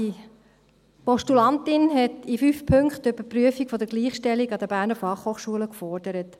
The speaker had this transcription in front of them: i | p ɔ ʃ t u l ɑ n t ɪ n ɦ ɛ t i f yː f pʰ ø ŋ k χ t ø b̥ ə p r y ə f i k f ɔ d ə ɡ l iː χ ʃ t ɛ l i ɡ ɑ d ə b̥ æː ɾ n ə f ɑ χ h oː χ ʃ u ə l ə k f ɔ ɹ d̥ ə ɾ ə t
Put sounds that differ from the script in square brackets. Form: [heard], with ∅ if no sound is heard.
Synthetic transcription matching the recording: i | p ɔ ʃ t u l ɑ n t ɪ n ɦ ɛ t i f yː f pʰ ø ŋ k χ t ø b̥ ə p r y ə f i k f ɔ d ə ɡ l iː χ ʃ t ɛ l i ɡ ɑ d ə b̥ æː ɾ n ə f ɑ χ h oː χ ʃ u ə l ə k f ɔ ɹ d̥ ə ɾ ə t